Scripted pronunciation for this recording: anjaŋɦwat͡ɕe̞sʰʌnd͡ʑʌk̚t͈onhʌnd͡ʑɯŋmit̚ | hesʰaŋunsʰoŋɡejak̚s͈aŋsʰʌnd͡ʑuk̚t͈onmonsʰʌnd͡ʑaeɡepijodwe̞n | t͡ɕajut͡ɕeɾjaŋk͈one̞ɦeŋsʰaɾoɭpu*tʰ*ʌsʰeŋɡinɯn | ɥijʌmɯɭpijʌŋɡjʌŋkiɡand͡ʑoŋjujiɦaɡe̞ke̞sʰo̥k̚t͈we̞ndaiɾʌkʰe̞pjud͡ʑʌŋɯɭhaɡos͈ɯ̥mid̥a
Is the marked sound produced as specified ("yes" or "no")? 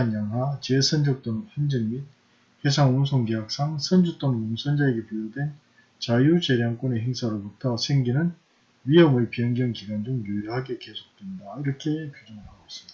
yes